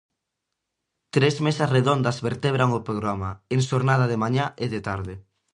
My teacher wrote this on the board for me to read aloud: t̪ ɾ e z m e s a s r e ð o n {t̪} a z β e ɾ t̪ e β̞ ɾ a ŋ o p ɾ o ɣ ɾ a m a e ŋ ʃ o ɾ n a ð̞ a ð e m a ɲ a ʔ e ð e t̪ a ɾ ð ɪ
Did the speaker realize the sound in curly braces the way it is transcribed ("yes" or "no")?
no